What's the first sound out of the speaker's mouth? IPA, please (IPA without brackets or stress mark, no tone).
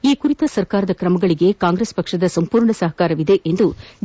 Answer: iː